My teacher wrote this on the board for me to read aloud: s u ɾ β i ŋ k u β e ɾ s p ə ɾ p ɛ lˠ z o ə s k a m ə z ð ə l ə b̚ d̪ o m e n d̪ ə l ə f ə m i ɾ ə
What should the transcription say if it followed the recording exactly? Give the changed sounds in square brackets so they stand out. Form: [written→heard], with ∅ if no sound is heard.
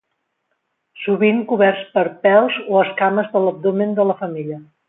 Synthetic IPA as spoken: s u [ɾ→∅] β i ŋ k u β [e→ɛ] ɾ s p ə ɾ p ɛ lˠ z o ə s k a m ə z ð ə l ə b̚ d̪ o m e n d̪ ə l ə f ə m i [ɾ→ʎ] ə